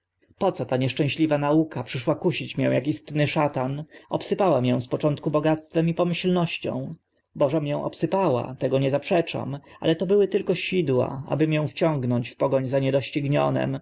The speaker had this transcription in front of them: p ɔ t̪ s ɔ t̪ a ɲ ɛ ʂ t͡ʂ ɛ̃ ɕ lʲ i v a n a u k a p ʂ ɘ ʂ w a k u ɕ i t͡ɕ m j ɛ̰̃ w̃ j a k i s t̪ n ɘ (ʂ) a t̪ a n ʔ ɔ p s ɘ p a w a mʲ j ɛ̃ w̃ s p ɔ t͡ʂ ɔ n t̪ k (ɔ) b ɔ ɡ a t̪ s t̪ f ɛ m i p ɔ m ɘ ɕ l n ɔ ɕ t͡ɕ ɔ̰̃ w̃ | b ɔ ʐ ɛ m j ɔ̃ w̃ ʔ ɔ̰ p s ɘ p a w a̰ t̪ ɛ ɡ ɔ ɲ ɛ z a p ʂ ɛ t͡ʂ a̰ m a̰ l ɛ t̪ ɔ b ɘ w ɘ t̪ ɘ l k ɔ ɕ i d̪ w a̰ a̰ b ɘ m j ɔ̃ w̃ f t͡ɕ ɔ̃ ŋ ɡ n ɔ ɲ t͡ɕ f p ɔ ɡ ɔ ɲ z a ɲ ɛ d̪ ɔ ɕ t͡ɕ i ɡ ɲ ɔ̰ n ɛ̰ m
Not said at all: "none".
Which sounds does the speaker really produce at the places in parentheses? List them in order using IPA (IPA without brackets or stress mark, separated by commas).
ʂ, u